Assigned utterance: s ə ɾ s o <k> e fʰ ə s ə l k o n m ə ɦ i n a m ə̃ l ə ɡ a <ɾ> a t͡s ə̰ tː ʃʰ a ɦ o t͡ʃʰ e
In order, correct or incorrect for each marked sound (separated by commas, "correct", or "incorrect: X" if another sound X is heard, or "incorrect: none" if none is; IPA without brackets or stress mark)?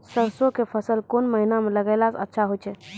correct, incorrect: l